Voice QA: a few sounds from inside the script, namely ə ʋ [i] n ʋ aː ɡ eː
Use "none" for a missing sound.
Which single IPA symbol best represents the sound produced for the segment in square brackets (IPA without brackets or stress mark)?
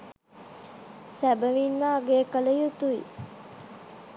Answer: i